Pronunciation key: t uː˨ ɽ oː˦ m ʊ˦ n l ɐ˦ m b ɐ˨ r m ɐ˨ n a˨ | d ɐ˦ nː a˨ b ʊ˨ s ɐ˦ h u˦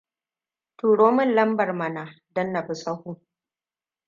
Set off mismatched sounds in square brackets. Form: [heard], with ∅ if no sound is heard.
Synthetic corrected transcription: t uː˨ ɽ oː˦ m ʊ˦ n l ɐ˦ m b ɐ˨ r m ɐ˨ n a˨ | d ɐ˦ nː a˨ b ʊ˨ s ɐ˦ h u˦